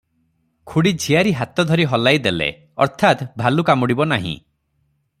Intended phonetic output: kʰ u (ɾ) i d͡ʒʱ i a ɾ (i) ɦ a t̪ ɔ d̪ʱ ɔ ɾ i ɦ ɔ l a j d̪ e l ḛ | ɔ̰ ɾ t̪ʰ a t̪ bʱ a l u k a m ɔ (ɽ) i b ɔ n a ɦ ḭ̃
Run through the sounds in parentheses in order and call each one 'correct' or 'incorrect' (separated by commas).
incorrect, correct, correct